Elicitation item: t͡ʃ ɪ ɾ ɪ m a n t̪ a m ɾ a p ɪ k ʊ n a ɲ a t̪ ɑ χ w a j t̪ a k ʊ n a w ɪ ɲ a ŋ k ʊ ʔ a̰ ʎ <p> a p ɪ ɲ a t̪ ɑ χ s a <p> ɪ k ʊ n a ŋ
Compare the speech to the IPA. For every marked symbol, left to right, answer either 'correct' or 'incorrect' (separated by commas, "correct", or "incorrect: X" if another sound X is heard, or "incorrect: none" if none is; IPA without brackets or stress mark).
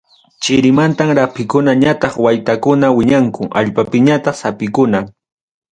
correct, correct